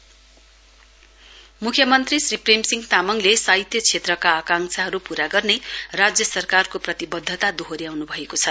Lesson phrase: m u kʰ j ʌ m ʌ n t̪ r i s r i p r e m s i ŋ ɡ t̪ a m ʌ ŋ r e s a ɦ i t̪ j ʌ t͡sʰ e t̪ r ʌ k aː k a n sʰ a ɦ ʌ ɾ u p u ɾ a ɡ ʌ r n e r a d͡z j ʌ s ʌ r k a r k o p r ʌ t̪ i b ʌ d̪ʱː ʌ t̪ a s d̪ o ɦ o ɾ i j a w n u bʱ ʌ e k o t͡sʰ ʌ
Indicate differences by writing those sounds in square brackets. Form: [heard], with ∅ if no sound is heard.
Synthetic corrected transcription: m u kʰ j ʌ m ʌ n t̪ r i s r i p r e m s i ŋ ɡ t̪ a m ʌ ŋ [l] e s a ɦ i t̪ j ʌ t͡sʰ e t̪ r ʌ k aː k a [ŋ] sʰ a ɦ ʌ ɾ u p u ɾ a ɡ ʌ r n e r a d͡z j ʌ s ʌ r k a r k o p r ʌ t̪ i b ʌ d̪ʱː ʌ t̪ a [∅] d̪ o ɦ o ɾ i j a w n u bʱ ʌ e k o t͡sʰ ʌ